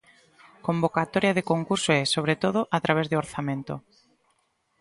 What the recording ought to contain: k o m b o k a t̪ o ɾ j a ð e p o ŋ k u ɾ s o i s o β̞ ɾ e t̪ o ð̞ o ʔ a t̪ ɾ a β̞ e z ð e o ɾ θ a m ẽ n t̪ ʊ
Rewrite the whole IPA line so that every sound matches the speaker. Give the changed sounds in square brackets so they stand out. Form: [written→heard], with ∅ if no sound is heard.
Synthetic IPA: k o m b o k a t̪ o ɾ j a ð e [p→k] o ŋ k u ɾ s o [i→ɛ] s o β̞ ɾ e t̪ o ð̞ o ʔ a t̪ ɾ a β̞ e z ð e o ɾ θ a m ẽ n t̪ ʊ